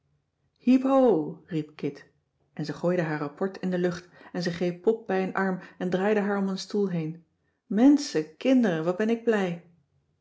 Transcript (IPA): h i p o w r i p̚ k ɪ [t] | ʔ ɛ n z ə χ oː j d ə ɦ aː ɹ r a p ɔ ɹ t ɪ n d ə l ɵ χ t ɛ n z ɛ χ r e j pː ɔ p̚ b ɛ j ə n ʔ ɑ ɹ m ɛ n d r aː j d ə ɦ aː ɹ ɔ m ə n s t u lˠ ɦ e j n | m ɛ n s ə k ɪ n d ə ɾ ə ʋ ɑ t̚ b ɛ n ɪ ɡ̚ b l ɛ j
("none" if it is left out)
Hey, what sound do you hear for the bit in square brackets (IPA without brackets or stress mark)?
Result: t